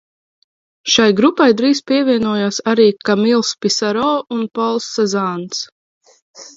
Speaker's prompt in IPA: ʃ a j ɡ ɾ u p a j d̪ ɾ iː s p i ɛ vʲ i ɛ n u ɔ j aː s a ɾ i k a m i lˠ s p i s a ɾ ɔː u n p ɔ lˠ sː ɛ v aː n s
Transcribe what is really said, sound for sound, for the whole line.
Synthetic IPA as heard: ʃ a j ɡ ɾ u p a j d̪ ɾ iː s p i ɛ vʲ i ɛ n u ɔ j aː s a ɾ iː k a m i lˠ s p i s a ɾ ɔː u n p ɔ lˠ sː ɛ z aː n s